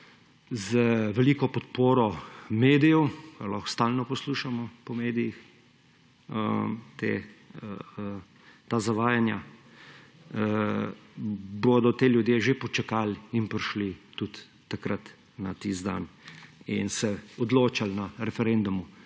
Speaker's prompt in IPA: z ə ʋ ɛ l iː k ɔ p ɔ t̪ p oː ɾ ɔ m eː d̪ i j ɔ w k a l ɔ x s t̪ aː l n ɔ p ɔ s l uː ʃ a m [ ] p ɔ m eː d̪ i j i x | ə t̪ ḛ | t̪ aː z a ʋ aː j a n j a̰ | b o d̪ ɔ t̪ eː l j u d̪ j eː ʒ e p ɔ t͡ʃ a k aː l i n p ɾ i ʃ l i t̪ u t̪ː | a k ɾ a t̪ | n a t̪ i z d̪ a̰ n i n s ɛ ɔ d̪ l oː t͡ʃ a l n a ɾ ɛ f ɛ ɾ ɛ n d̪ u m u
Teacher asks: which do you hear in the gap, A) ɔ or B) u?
A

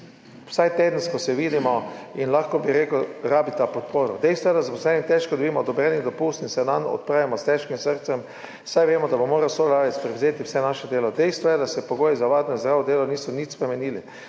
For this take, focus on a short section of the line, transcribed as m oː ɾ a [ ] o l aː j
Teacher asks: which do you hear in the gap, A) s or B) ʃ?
A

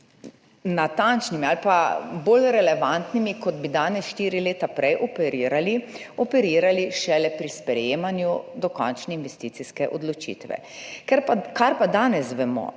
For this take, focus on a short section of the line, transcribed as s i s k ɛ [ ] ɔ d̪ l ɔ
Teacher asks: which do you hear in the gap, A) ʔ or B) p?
A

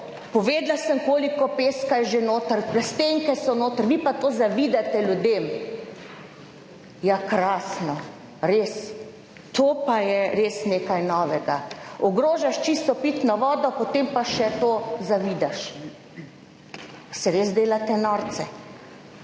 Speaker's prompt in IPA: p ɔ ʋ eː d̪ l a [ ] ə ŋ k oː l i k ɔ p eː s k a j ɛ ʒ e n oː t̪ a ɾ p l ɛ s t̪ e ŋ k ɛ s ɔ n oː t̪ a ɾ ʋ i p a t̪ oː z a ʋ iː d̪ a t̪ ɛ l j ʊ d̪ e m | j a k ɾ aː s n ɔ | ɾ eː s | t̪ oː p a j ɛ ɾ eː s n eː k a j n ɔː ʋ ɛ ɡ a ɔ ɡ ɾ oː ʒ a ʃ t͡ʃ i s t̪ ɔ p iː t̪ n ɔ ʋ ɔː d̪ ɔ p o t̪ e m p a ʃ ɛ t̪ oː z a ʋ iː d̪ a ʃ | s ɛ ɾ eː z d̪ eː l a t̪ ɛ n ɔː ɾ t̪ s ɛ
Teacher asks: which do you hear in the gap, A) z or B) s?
B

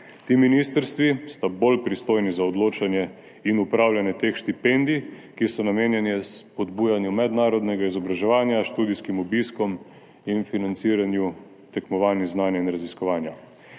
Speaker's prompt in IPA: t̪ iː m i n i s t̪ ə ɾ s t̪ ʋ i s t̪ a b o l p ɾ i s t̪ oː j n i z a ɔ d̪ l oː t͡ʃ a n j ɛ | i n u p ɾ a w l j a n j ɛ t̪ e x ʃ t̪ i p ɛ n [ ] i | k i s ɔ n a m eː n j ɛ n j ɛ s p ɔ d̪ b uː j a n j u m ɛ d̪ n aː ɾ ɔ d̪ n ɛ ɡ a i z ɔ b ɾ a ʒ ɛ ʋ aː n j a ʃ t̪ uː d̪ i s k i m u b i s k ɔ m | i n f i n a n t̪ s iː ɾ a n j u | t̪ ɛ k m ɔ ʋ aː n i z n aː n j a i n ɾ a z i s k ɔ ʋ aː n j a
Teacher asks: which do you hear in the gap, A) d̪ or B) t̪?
A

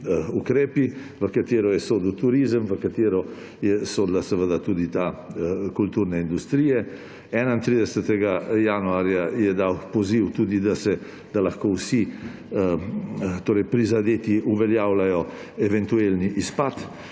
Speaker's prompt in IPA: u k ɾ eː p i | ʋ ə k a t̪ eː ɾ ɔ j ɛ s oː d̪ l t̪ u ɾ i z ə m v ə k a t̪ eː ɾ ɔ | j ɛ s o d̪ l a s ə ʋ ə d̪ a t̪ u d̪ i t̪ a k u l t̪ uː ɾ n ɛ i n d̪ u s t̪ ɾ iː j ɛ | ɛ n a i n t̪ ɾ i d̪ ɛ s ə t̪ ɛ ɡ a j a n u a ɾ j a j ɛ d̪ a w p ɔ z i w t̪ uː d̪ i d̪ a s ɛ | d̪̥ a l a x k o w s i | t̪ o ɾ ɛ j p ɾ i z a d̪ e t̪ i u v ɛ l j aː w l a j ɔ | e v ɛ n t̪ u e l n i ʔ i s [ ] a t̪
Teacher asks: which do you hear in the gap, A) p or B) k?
A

